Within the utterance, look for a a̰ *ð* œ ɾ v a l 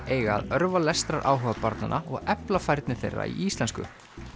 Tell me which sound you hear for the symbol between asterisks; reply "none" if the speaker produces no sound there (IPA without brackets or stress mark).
ð